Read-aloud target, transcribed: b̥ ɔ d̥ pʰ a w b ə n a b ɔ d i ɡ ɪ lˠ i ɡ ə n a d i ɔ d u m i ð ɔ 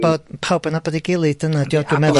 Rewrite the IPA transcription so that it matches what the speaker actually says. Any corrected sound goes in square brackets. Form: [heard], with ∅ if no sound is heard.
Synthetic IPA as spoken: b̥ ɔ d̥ pʰ a w b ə n a b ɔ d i ɡ ɪ lˠ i [d] ə n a d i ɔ d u m [ɛ] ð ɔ